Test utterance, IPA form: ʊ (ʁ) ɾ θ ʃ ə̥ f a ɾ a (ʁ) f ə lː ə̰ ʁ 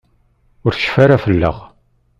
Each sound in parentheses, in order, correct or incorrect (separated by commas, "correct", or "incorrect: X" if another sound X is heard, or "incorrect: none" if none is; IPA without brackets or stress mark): incorrect: none, incorrect: none